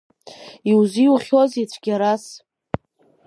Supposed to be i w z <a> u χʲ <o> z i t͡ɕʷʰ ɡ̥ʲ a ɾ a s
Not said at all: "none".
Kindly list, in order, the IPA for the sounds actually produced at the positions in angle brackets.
i, o

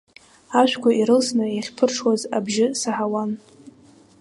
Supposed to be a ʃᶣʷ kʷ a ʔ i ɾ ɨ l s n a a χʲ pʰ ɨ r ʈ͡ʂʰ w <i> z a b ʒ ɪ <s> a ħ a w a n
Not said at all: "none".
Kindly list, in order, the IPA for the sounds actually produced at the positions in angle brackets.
a, s

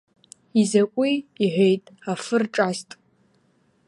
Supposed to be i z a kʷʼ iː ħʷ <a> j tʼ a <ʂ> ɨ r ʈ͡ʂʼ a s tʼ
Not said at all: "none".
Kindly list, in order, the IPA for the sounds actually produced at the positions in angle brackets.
e, f

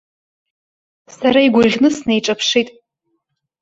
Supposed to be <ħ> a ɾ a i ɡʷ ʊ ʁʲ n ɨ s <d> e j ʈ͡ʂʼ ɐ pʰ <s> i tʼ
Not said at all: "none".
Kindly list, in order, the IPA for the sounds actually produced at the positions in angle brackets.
s, n, ʂ

